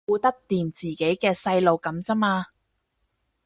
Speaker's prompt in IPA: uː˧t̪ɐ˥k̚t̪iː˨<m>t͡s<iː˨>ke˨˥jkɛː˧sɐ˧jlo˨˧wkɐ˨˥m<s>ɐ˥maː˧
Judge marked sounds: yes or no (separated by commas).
yes, yes, no